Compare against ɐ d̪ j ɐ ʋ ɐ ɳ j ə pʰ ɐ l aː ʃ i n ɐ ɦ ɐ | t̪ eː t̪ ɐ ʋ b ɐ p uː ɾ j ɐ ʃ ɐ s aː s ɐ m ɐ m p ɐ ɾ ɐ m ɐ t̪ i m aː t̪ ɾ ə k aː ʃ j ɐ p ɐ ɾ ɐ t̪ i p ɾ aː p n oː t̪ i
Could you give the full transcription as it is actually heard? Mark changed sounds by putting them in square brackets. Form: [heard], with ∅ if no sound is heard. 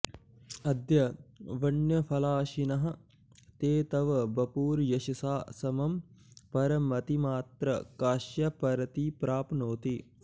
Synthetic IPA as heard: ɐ d̪ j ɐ ʋ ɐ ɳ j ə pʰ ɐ l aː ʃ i n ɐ ɦ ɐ | t̪ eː t̪ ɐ ʋ b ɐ p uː ɾ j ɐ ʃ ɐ s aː s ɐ m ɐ m p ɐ ɾ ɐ m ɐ t̪ i m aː t̪ ɾ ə k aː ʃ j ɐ p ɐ ɾ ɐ t̪ i p ɾ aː p n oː t̪ i